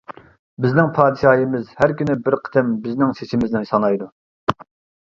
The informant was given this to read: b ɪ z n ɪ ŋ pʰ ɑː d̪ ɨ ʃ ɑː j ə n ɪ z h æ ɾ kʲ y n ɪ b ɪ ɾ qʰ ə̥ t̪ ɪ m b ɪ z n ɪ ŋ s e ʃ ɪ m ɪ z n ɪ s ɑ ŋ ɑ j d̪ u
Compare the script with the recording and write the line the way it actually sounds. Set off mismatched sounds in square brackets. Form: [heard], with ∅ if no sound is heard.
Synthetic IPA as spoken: b ɪ z n ɪ ŋ pʰ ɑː d̪ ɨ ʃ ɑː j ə [m] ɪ z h æ ɾ kʲ y n ɪ b ɪ ɾ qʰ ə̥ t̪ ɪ m b ɪ z n ɪ ŋ s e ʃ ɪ m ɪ z n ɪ s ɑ [n] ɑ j d̪ u